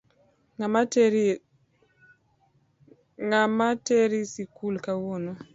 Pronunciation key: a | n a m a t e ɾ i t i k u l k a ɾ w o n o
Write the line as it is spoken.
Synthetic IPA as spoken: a | ŋ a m a t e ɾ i s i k u l k a w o n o